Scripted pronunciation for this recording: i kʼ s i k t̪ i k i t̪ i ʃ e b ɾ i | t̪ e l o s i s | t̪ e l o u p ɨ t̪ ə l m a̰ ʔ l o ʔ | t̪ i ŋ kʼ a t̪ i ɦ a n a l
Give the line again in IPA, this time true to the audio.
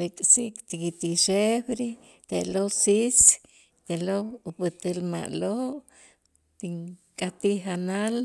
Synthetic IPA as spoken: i kʼ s i k t̪ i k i t̪ i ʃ e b ɾ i | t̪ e l o s i s | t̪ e l o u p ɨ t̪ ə l m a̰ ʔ l o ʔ | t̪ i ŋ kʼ a t̪ i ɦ a n a l